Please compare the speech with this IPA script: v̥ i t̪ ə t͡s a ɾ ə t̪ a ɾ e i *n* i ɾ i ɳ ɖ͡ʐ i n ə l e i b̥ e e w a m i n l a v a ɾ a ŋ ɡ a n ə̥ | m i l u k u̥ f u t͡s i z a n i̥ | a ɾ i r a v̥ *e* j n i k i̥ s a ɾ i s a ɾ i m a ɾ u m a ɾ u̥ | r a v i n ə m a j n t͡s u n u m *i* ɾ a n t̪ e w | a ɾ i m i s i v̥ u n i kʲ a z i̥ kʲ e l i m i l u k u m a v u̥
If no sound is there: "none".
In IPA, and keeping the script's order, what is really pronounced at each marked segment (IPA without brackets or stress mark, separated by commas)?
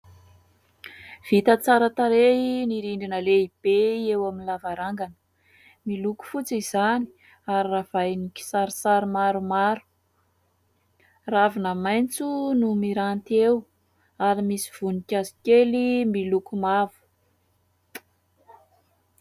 n, a, i